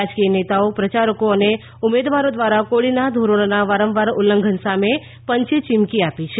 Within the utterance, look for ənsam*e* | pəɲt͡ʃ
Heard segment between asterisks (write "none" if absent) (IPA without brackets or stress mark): e